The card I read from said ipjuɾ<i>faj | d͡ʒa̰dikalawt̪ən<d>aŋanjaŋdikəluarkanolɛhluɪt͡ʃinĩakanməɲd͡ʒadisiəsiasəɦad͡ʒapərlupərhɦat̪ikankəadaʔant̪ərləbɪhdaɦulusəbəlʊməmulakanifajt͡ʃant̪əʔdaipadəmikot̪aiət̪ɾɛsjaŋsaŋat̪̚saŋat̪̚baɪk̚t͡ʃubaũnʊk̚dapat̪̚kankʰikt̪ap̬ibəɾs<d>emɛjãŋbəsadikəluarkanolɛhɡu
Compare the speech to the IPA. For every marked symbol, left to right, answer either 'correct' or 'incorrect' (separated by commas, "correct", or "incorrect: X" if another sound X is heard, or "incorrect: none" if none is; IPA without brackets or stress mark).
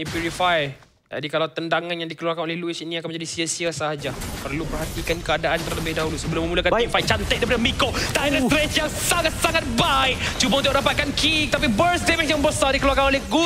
correct, correct, correct